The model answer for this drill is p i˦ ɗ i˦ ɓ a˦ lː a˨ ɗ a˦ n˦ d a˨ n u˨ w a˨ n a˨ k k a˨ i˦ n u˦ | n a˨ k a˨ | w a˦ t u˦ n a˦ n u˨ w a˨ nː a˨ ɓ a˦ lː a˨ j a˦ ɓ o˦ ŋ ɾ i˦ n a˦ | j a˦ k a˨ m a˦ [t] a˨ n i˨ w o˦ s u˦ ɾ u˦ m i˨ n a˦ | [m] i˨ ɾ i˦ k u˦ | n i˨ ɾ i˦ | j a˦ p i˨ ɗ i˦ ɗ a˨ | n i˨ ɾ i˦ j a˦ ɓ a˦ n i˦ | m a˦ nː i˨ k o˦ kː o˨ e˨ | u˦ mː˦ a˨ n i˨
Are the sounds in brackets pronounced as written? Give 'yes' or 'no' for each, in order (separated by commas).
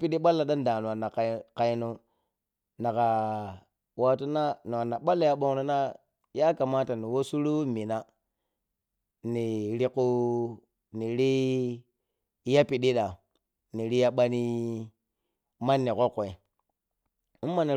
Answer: yes, no